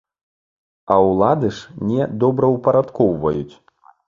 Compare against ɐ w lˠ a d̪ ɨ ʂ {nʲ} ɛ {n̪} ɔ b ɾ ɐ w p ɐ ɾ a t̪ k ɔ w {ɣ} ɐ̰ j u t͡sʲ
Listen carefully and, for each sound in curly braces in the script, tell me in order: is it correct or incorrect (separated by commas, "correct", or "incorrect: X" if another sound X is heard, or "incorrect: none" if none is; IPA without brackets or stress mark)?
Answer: correct, incorrect: d̪, incorrect: v